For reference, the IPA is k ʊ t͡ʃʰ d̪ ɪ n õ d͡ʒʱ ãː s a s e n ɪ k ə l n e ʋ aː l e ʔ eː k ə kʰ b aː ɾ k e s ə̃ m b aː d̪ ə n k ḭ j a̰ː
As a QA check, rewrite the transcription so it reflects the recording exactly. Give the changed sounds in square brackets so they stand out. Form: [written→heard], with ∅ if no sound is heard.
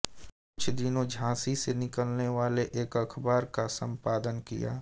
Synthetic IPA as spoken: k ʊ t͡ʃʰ d̪ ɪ n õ d͡ʒʱ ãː s [a→i] s e n ɪ k ə l n e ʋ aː l e ʔ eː k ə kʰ b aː ɾ k [e→a] s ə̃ m [b→p] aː d̪ ə n k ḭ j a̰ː